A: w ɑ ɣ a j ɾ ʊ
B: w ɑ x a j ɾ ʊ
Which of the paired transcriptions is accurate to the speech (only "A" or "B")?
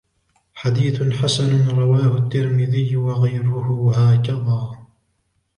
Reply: A